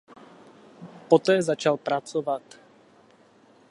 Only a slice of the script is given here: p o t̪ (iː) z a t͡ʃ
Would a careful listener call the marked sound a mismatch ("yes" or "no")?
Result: yes